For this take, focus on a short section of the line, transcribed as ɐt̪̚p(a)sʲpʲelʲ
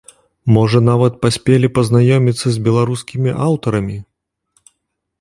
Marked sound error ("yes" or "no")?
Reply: no